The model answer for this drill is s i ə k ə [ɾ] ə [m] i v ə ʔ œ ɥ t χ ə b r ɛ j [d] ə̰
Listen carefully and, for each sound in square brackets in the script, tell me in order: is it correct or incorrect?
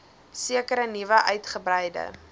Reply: correct, incorrect: n, correct

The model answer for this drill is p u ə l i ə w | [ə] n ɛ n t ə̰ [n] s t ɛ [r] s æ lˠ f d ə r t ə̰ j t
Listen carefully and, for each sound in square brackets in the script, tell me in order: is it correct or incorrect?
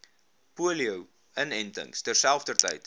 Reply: correct, incorrect: ŋ, correct

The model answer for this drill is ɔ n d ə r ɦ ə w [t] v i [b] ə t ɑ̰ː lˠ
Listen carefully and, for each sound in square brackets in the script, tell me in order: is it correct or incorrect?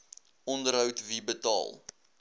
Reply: correct, correct

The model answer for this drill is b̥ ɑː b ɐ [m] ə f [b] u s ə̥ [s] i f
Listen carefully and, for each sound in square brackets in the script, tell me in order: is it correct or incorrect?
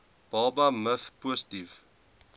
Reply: correct, incorrect: p, incorrect: t

